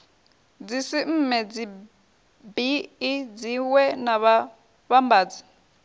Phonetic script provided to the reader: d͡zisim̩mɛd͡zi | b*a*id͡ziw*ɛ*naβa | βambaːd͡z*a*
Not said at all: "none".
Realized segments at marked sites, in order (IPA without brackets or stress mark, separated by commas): i, ɛ, i